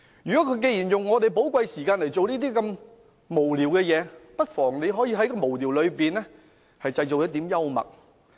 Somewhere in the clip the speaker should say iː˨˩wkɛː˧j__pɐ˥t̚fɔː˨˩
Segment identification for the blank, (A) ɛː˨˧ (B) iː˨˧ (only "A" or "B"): A